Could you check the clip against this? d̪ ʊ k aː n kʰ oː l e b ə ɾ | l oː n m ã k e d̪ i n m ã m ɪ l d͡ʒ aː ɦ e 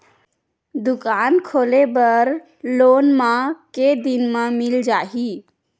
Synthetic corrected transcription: d̪ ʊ k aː n kʰ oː l e b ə ɾ | l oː n m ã k e d̪ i n m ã m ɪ l d͡ʒ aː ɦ i